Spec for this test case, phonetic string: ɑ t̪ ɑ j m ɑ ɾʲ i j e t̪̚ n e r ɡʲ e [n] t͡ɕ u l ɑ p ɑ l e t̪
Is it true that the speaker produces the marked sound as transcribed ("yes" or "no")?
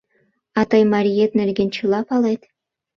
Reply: yes